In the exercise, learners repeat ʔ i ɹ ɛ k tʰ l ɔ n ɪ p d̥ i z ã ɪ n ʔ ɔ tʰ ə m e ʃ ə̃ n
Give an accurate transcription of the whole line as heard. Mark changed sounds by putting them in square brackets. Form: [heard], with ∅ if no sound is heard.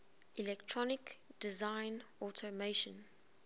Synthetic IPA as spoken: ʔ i [l] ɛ k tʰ [ɹ] ɔ n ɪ [k] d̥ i z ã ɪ n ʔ ɔ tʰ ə m e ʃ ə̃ n